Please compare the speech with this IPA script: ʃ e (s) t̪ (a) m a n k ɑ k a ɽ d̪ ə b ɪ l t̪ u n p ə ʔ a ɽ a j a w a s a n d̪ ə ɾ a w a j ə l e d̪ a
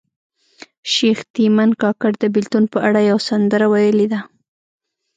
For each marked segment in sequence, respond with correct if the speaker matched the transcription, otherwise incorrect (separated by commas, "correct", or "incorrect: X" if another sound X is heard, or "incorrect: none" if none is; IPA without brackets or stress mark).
incorrect: x, incorrect: i